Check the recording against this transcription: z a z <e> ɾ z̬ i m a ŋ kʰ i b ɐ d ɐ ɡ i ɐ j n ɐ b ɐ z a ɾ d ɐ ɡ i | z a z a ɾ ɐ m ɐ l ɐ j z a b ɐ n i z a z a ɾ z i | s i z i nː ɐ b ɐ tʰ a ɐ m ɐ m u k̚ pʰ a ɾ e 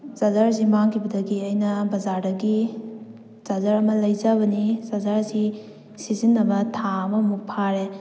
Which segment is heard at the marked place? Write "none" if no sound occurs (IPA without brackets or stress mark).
a